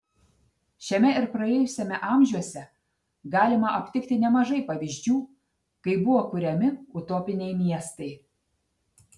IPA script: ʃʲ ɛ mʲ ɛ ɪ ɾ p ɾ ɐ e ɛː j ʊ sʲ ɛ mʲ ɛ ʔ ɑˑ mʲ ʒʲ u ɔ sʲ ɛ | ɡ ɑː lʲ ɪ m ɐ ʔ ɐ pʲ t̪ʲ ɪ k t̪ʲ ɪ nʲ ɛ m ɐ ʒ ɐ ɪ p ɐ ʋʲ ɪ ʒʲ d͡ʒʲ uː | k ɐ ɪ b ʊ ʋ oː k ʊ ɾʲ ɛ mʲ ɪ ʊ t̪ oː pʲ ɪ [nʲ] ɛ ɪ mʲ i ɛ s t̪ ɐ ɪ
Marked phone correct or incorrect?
correct